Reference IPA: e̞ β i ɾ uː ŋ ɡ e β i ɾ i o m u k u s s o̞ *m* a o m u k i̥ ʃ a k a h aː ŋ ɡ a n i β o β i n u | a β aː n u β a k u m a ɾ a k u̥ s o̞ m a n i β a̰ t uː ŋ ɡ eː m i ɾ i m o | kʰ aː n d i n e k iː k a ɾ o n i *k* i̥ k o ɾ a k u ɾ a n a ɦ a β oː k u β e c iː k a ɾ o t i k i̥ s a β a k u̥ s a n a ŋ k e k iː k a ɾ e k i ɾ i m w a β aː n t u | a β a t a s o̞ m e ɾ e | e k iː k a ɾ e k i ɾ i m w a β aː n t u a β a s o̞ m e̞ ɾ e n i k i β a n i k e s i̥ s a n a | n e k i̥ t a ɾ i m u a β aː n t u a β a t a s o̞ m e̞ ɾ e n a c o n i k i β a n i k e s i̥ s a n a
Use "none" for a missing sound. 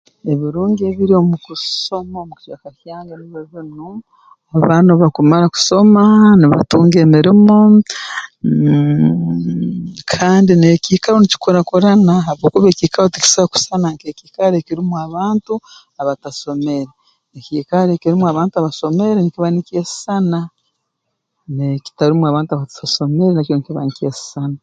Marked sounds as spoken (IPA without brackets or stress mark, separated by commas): m, c